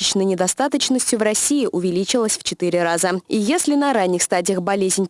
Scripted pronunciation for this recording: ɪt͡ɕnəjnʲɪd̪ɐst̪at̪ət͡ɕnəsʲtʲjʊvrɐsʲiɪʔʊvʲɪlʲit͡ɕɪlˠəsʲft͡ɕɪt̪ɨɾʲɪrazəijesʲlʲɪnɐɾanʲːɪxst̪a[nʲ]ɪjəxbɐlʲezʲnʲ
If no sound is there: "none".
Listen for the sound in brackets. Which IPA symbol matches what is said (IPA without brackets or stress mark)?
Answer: dʲ